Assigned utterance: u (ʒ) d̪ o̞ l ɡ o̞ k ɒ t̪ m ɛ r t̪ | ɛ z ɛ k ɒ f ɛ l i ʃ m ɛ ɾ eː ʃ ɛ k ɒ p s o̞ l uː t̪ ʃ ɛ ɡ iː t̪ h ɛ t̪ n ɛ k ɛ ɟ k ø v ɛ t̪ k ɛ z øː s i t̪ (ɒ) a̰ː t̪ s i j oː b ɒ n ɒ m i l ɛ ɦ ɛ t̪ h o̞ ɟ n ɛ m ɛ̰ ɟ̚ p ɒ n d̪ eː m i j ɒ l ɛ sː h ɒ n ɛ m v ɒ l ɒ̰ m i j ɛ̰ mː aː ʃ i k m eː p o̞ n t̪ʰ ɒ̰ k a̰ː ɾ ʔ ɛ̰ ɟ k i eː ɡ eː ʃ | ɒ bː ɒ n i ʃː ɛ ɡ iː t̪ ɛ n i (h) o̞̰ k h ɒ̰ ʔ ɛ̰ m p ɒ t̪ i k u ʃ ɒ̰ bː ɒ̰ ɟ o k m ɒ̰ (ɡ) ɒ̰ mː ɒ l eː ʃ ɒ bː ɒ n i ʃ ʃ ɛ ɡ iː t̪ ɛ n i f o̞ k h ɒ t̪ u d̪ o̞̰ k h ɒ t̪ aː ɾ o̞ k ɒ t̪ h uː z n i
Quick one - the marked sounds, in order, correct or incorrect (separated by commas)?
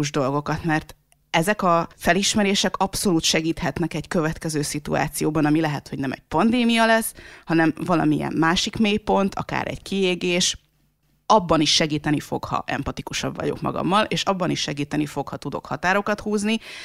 correct, incorrect, incorrect, correct